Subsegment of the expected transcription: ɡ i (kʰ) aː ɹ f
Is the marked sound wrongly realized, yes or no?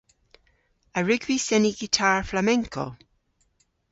yes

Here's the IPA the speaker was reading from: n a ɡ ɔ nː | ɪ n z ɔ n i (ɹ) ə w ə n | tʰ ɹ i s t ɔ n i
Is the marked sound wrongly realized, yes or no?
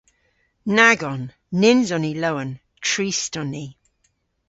yes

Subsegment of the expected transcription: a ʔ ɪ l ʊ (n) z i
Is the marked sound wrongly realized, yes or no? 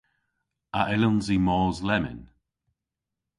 no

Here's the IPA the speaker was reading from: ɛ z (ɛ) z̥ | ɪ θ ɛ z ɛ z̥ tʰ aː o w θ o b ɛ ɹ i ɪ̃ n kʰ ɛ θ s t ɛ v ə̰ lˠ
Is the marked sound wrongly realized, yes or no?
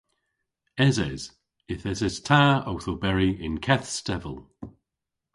no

